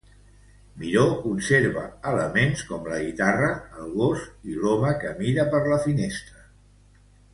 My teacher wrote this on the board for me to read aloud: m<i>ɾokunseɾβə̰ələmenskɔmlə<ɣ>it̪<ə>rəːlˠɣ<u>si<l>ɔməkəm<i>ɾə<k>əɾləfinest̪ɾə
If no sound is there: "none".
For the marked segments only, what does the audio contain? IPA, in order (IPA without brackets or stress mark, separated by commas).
i, ɣ, a, o, l, i, p